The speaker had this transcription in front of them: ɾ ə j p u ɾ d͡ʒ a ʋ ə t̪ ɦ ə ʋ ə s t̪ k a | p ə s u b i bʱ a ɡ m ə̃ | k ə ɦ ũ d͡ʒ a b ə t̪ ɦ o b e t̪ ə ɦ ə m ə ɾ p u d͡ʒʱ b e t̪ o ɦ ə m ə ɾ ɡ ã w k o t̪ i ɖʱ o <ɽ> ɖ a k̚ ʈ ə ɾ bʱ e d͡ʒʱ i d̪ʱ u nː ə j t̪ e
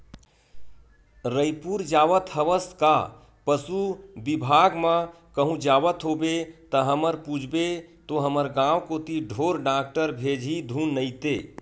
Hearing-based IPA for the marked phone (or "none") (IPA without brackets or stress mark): ɾ